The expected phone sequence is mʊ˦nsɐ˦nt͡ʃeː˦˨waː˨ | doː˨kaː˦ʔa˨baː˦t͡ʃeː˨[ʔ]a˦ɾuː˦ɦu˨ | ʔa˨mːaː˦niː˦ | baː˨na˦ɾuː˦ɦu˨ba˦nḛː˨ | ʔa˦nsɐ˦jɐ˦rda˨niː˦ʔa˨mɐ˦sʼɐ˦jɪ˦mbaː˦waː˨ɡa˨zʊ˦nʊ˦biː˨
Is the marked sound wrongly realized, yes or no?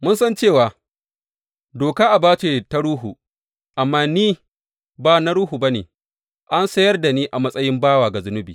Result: yes